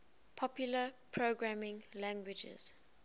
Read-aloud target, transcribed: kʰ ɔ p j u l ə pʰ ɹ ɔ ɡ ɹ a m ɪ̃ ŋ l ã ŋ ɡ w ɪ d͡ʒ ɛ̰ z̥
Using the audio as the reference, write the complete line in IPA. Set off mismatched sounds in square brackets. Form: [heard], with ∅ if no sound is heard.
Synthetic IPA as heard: [pʰ] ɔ p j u l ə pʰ ɹ [o] ɡ ɹ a m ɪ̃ ŋ l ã ŋ ɡ w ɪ d͡ʒ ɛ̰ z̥

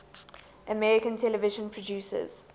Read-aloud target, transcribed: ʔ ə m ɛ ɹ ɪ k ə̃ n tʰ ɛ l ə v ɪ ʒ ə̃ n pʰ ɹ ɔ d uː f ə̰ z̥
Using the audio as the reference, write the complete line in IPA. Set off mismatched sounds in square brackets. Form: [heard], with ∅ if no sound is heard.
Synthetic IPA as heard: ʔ ə m ɛ ɹ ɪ k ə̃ n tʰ ɛ l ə v ɪ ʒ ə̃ n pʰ ɹ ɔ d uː [s] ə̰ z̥

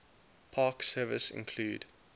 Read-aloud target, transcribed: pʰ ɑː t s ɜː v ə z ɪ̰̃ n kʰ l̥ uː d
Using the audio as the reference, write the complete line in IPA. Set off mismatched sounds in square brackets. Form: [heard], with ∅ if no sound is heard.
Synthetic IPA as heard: pʰ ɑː [k] s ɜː v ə [s] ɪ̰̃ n kʰ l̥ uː d

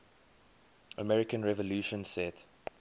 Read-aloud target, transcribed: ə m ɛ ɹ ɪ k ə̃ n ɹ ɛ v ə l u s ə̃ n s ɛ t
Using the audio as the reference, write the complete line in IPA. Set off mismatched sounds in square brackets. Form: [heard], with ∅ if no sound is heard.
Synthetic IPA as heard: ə m ɛ ɹ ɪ k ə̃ n ɹ ɛ v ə l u [ʃ] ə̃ n s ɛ t

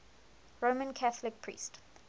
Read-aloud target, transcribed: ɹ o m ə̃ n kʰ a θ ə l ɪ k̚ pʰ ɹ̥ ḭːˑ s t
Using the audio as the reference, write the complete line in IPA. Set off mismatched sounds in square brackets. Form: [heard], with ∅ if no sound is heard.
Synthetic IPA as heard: ɹ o m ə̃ n kʰ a θ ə l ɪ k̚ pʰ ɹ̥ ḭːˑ s t

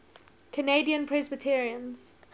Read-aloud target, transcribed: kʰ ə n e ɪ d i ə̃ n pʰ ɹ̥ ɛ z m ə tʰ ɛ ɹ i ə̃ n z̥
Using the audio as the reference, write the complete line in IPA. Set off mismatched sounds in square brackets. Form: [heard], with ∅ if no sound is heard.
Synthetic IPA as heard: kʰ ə n e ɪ d i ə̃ n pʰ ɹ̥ ɛ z [b] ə tʰ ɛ ɹ i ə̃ n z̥

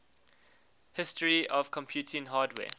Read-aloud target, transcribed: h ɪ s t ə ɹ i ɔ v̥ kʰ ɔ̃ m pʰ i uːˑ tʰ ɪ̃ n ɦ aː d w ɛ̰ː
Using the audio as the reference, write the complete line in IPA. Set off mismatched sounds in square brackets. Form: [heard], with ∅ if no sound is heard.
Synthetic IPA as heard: h ɪ s t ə ɹ i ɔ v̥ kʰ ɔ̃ m pʰ [j] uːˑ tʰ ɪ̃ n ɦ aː d w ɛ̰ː

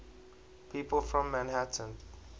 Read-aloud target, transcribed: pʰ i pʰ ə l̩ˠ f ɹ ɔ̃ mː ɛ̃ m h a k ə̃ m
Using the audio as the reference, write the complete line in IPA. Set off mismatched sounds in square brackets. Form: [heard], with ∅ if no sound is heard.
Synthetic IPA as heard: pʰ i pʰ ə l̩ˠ f ɹ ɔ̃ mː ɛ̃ [n] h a [t] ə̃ [n]

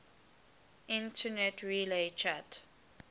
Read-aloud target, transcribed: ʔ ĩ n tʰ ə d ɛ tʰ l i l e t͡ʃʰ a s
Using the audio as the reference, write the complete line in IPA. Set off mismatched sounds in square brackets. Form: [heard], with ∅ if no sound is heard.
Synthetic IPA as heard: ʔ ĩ n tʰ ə [n] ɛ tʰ [ɹ] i l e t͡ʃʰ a [t]

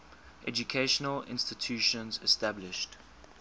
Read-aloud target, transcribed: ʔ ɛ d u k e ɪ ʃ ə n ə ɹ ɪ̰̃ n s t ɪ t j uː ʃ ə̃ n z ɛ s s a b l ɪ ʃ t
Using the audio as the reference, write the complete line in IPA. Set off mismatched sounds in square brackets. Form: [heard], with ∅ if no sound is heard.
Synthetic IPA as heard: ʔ ɛ [d͡ʒ] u [kʰ] e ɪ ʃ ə n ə [l] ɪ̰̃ n s t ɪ [tʰ] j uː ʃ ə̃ n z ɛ s [t] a b l ɪ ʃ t

